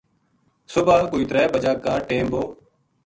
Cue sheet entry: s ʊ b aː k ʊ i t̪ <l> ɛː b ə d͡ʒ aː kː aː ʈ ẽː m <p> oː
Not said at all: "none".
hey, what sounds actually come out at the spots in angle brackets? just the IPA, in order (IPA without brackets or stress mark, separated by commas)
ɾ, b